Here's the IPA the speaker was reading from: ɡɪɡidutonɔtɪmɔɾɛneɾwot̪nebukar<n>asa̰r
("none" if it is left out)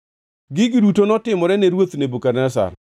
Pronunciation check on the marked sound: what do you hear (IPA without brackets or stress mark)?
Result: n